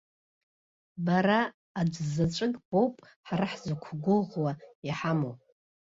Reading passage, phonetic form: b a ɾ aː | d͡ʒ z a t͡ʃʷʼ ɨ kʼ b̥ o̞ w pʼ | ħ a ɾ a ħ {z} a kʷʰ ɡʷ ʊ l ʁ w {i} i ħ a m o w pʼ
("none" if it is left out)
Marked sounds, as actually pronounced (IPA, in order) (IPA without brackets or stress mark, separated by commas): z, a